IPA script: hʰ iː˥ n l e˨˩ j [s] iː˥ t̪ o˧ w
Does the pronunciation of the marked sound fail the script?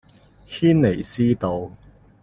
no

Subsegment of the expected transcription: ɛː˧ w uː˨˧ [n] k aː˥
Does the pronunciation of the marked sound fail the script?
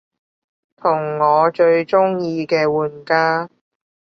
no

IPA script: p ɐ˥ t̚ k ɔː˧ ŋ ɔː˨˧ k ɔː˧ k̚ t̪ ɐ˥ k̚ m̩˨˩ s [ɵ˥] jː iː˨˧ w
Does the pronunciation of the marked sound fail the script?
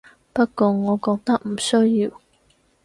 no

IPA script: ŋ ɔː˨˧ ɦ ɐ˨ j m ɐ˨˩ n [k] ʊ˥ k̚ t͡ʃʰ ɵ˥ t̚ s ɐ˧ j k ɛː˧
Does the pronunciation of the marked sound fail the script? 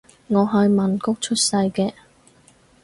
no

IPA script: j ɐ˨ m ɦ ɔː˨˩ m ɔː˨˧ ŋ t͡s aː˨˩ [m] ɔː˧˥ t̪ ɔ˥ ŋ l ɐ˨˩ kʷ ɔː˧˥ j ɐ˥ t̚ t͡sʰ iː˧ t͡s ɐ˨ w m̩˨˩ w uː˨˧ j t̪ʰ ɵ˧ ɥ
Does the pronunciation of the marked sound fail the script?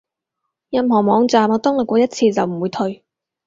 no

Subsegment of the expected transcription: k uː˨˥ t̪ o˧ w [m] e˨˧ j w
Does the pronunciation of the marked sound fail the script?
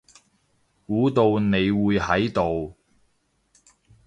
yes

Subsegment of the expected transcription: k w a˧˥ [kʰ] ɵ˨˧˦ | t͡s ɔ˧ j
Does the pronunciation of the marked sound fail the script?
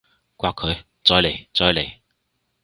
no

